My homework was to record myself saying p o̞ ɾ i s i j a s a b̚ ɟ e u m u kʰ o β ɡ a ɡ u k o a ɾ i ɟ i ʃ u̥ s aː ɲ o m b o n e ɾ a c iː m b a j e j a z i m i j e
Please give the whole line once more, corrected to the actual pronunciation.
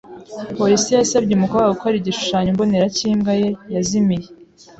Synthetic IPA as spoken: p o̞ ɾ i s i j a s a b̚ ɟ e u m u k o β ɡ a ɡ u k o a ɾ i ɟ i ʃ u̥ ʃ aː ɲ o m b o n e ɾ a c iː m ɡ a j e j a z i m i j e